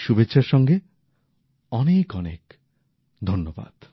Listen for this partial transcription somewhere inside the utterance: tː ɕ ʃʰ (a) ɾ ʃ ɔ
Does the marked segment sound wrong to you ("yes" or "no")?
no